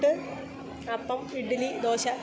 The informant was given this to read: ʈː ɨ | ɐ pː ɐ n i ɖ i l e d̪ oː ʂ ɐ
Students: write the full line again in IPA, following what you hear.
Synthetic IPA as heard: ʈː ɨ | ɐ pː ɐ m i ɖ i l i d̪ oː ɕ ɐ